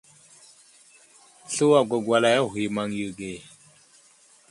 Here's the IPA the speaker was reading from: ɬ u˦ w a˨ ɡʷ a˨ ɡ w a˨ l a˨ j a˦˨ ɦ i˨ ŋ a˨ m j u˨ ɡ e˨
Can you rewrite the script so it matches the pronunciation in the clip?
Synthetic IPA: ɬ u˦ w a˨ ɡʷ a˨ ɡ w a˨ l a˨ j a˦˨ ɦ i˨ m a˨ ŋ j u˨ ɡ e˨

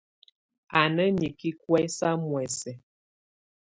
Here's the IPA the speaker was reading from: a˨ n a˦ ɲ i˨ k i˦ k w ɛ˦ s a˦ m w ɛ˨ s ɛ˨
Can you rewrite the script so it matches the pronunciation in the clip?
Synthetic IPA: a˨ n ə˦ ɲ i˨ k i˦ k w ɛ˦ s a˦ m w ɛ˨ s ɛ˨

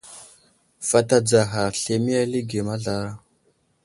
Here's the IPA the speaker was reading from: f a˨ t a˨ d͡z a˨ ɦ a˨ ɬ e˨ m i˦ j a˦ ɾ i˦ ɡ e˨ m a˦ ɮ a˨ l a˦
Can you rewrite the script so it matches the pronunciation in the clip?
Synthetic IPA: f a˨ t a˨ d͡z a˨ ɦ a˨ ɬ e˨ m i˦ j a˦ l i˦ ɡ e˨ m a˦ ɮ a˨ ɾ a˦

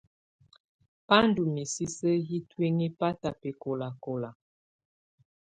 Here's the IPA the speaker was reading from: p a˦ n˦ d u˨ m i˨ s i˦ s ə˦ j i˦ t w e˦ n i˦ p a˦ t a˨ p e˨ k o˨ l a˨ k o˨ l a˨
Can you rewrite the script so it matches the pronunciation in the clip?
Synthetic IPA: p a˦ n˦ d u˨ m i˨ s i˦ s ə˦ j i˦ t w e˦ ŋ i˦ p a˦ t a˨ p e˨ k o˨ l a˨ k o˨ l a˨

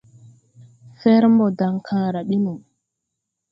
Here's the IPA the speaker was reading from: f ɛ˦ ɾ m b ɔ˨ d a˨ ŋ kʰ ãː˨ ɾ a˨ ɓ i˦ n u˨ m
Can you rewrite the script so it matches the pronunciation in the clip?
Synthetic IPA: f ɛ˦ ɾ m b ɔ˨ d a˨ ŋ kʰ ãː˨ ɾ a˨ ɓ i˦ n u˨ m

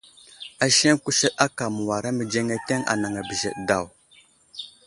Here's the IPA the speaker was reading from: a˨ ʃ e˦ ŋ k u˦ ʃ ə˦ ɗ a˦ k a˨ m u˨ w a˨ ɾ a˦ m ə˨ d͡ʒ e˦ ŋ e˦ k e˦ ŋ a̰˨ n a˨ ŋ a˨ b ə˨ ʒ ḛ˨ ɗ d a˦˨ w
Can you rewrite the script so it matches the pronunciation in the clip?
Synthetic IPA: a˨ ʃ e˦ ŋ k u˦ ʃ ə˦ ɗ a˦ k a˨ m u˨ w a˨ ɾ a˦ m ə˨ d͡ʒ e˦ ŋ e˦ t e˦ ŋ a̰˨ n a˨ ŋ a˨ b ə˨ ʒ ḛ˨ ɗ d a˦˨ w

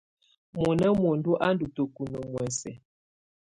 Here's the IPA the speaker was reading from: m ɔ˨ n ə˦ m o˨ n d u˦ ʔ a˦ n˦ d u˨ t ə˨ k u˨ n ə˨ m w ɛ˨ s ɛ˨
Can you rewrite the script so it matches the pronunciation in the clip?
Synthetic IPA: m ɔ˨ n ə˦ m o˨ n d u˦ ʔ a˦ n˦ d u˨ t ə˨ k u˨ n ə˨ m w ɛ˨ s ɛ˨

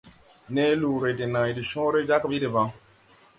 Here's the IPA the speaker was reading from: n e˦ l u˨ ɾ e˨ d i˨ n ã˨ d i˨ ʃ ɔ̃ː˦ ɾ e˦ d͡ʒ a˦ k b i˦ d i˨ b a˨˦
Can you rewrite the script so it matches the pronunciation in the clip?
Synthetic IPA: n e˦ l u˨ ɾ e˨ d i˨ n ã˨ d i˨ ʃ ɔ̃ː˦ ɾ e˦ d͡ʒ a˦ k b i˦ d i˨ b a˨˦

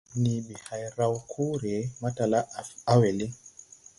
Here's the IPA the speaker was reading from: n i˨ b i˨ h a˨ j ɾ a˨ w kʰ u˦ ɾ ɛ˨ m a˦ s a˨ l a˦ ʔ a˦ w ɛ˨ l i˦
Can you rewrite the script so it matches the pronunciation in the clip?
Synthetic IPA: n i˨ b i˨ h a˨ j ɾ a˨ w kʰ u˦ ɾ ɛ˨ m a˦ t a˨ l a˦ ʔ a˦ w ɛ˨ l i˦

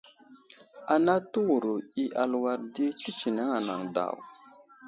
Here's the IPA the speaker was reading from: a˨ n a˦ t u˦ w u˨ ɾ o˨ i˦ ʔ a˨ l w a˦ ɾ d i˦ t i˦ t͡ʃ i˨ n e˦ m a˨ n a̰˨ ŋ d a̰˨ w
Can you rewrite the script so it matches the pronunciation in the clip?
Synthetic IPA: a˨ n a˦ t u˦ w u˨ ɾ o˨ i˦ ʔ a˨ l w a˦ ɾ d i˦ t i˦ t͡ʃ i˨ n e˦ ŋ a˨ n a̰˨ ŋ d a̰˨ w

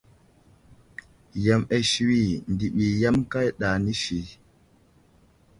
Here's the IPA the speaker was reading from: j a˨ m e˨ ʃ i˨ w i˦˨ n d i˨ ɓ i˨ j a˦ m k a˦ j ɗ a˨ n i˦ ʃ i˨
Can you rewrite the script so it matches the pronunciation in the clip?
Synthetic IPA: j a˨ m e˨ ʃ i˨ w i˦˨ n d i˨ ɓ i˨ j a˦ m k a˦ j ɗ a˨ n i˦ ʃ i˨

